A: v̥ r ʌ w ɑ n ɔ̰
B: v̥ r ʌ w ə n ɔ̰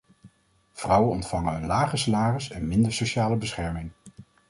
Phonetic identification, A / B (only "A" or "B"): B